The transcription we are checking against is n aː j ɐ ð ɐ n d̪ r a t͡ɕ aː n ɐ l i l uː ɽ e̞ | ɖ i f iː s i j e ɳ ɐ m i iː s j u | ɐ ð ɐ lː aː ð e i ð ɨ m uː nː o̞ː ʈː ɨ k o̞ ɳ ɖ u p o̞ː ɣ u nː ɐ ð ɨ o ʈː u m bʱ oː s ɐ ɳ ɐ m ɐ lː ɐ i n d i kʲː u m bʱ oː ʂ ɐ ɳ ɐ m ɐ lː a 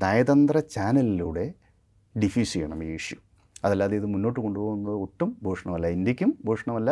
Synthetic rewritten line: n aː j ɐ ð ɐ n d̪ r ɐ t͡ɕ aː n ɐ l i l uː ɽ e̞ | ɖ i f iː s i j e ɳ ɐ m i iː ʂ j u | ɐ ð ɐ lː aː ð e i ð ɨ m u nː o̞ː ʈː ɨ k o̞ ɳ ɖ u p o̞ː ɣ u nː ɐ ð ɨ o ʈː u m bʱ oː ʂ ɐ ɳ ɐ m ɐ lː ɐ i n d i kʲː u m bʱ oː ʂ ɐ ɳ ɐ m ɐ lː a